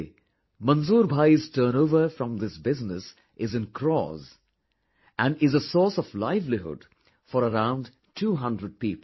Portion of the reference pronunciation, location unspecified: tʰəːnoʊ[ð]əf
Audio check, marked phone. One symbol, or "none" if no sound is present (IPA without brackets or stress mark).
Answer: v